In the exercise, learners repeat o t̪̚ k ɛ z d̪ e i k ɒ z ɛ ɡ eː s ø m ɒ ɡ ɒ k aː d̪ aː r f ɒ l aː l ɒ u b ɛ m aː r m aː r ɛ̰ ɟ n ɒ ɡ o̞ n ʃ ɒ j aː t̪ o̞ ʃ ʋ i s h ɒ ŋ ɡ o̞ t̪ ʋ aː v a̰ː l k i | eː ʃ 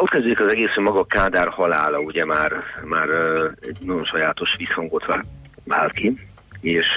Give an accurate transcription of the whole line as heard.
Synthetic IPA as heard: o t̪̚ k ɛ z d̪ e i k ɒ z ɛ ɡ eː s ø m ɒ ɡ ɒ k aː d̪ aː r h ɒ l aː l ɒ u ɟ ɛ m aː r m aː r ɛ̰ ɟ n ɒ ɟ o̞ n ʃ ɒ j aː t̪ o̞ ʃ ʋ i s h ɒ ŋ ɡ o̞ t̪ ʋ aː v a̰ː l k i | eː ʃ